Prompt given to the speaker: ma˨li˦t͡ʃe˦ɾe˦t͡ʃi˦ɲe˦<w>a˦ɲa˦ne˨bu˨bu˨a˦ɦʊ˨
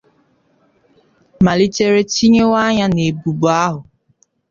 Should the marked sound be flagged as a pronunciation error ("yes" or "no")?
no